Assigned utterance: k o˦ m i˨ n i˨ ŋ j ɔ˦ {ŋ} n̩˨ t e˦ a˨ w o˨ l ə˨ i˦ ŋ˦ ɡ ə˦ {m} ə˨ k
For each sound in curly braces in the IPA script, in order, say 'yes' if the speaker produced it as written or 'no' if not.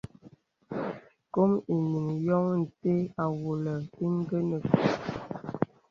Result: yes, no

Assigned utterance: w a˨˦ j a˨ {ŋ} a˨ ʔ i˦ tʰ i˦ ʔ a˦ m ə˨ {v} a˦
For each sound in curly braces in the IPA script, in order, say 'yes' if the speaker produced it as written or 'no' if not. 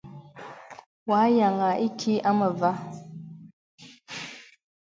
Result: yes, yes

